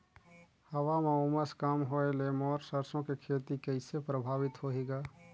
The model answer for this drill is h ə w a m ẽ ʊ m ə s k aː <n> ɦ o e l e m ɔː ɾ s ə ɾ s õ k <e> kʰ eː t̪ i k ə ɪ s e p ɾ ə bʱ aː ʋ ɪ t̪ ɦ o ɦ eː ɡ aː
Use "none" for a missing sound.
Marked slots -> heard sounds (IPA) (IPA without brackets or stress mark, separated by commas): m, e